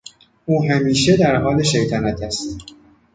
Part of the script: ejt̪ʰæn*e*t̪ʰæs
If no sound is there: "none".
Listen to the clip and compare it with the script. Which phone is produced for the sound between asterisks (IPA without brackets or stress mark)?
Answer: æ